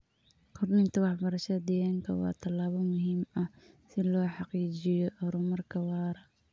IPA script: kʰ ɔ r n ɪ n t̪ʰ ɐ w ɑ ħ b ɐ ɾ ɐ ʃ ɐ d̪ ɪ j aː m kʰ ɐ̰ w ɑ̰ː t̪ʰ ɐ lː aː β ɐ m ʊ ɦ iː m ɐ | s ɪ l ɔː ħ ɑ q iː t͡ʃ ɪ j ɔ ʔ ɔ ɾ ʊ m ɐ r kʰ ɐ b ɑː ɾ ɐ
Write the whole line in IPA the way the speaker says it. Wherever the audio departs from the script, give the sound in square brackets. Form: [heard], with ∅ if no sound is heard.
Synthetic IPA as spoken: kʰ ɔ r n ɪ n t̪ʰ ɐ w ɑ ħ b ɐ ɾ ɐ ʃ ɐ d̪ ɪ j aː [ŋ] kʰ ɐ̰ w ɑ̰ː t̪ʰ ɐ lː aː β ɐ m ʊ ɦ iː m ɐ | s ɪ l ɔː ħ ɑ q iː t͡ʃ ɪ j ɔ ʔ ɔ ɾ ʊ m ɐ r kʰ ɐ [w] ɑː ɾ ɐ